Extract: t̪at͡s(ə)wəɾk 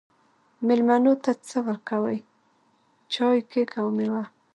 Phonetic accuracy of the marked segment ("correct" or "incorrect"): correct